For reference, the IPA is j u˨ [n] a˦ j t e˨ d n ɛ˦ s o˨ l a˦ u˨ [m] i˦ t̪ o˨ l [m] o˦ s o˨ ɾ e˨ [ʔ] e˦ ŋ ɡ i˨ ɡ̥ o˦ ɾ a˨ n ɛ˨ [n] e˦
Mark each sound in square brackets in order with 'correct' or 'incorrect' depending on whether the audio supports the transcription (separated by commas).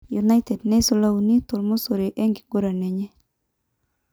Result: correct, incorrect, correct, correct, incorrect